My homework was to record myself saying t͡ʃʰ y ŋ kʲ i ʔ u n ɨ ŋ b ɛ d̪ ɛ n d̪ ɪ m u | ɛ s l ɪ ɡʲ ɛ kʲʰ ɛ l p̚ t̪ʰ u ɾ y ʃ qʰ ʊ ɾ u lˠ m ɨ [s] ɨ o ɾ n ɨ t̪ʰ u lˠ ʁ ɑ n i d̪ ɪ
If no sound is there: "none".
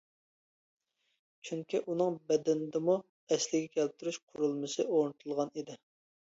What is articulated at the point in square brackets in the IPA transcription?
s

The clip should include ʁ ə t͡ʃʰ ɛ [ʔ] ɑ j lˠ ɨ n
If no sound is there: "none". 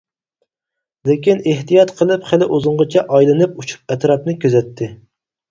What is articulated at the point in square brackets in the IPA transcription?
ʔ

